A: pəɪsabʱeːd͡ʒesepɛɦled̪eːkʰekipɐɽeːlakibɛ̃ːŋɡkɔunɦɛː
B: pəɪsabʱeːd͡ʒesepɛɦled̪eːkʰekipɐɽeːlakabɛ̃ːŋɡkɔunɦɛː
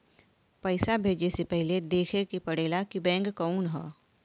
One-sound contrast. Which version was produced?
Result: A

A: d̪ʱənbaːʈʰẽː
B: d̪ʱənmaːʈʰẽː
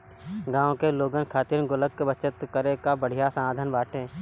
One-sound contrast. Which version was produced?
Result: A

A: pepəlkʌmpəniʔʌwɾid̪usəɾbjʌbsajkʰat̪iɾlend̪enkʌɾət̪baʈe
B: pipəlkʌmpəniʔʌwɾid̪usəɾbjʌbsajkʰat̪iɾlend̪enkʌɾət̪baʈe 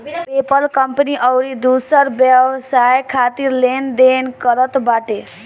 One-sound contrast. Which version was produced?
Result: A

